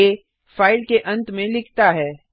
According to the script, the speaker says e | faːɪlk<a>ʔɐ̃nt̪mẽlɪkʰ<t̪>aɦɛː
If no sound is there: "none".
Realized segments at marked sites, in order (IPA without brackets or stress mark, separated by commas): e, t̪